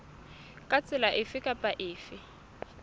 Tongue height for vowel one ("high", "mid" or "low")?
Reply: low